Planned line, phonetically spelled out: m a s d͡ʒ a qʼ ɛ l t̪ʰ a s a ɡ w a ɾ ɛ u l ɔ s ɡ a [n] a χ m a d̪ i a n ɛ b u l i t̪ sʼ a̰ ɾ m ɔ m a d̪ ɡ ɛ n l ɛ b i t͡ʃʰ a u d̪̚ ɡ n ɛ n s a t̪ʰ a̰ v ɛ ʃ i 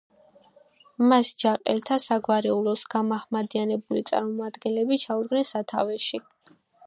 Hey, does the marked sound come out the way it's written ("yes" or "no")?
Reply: no